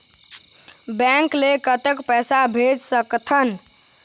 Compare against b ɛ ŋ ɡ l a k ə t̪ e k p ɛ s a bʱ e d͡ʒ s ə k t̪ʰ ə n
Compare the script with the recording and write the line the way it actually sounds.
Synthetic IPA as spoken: b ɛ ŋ k l e k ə t̪ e k p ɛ s a bʱ e d͡ʒ s ə k t̪ʰ ə n